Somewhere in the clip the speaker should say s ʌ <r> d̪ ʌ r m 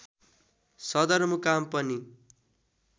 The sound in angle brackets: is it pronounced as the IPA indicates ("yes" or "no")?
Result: no